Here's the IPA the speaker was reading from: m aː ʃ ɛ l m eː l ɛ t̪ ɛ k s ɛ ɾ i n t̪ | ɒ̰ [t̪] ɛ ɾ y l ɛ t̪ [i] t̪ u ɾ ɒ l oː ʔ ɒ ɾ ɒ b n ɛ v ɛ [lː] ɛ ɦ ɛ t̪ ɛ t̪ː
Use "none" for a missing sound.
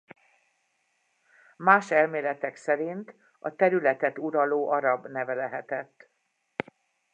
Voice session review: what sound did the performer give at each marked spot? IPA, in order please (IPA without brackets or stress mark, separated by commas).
t̪, ɛ, l